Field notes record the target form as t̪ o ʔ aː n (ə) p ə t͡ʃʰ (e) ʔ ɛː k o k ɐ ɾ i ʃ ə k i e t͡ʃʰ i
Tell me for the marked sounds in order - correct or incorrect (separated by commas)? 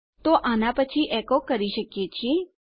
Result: incorrect, incorrect